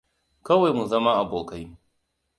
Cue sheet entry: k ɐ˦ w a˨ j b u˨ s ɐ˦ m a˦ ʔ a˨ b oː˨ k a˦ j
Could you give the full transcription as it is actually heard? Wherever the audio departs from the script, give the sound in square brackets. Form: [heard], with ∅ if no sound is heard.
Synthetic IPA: k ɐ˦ w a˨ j [m] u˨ [z] ɐ˦ m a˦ ʔ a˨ b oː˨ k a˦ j